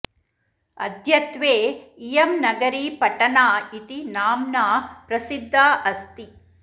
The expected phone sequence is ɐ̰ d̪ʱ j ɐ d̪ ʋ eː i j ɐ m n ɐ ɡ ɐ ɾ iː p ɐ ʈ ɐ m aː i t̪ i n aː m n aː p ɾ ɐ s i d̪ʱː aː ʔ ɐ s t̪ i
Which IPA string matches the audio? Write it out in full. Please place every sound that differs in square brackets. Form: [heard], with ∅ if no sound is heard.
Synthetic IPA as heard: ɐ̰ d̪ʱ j ɐ [t̪] ʋ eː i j ɐ m n ɐ ɡ ɐ ɾ iː p ɐ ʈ ɐ [n] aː i t̪ i n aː m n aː p ɾ ɐ s i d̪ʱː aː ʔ ɐ s t̪ i